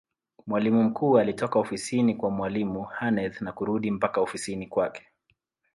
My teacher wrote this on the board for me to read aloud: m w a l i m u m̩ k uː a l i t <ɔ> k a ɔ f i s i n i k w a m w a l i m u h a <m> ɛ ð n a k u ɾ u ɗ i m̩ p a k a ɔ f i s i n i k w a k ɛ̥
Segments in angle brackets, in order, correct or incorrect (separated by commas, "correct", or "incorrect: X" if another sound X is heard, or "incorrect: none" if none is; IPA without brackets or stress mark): correct, incorrect: n